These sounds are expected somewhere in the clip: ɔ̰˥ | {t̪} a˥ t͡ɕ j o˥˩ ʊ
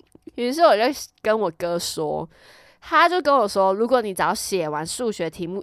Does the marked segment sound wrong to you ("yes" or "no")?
yes